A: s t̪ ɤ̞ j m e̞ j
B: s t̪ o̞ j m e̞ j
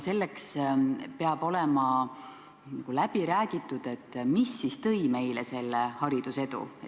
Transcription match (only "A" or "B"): A